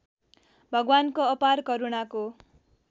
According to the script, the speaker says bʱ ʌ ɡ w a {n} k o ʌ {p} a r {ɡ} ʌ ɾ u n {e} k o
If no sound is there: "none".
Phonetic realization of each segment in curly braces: n, p, k, a

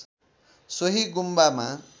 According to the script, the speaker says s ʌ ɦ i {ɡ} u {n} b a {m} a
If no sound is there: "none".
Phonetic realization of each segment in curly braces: ɡ, m, m

